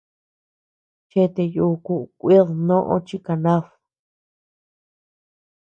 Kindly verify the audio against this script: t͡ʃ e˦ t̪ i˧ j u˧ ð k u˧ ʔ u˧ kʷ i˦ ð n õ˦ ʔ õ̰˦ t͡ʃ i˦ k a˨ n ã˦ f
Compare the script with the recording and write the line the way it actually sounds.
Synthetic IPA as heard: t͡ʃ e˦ t̪ e˧ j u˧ k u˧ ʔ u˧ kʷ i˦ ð n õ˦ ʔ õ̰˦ t͡ʃ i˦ k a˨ n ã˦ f

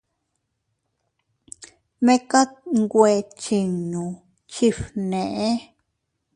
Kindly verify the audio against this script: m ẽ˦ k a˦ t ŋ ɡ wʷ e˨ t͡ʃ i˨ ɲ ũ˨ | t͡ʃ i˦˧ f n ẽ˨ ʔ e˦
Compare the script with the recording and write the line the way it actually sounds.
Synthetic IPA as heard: m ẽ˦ k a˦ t ŋ ɡ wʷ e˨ t͡ʃ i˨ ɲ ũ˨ | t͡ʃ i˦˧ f n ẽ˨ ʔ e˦

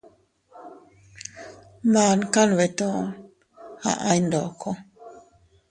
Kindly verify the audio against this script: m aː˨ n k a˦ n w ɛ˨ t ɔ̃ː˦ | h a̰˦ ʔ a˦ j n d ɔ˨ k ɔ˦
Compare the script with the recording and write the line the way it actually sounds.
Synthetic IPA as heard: m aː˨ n k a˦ n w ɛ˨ t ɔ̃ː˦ | h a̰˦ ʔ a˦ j n d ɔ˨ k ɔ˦

